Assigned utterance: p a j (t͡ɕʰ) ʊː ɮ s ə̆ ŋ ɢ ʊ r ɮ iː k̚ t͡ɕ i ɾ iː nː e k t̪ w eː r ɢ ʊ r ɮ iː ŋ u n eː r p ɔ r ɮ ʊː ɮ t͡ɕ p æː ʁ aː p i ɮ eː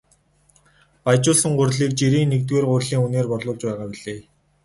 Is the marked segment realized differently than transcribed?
yes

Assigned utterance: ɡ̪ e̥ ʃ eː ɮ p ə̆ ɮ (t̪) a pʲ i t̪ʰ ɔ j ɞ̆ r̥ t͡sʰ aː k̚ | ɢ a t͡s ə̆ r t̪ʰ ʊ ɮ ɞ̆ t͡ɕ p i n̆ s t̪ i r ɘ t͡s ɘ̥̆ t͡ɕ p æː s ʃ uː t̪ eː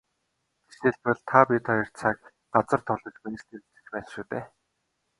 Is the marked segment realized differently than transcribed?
yes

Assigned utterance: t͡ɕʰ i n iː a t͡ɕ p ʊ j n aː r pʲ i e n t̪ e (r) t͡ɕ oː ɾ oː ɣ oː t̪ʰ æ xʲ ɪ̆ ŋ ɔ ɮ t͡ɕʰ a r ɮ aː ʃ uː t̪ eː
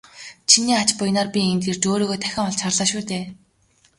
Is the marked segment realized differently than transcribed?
no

